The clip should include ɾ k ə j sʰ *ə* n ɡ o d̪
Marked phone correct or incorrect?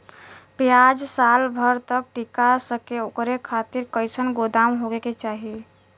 correct